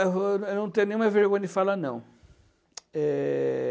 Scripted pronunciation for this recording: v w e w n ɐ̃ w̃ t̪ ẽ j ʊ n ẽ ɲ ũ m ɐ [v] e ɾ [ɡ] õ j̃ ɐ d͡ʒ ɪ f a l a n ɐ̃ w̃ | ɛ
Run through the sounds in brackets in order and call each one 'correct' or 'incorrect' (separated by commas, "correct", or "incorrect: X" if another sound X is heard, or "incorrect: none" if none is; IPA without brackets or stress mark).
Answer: correct, correct